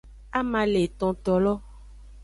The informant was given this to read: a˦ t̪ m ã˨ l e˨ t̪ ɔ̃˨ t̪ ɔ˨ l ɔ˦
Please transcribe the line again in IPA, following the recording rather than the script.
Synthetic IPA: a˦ m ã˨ l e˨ t̪ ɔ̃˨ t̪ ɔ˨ l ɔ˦